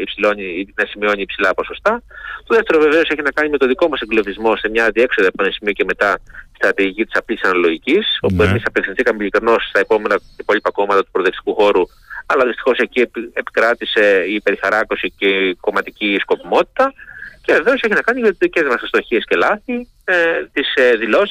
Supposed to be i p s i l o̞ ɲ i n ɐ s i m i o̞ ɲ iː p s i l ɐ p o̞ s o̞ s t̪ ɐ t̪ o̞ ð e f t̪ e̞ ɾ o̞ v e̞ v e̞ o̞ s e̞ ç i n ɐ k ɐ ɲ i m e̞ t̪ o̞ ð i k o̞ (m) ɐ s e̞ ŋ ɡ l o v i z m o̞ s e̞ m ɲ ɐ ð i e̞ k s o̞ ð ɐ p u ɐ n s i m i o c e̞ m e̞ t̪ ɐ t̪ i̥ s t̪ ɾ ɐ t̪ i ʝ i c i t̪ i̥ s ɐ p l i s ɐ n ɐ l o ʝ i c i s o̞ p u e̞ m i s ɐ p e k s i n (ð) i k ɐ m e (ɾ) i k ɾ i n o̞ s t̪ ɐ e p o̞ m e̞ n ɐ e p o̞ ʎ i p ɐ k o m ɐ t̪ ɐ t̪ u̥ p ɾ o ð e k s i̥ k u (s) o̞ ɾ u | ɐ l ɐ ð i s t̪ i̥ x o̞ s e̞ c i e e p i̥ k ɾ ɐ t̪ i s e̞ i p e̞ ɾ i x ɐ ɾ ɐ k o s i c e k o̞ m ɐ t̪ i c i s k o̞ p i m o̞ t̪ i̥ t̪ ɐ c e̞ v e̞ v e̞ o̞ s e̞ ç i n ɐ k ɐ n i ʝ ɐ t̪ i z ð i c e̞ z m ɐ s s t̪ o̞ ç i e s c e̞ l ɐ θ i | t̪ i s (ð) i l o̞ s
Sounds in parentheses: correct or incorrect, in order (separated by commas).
correct, incorrect, incorrect, incorrect, correct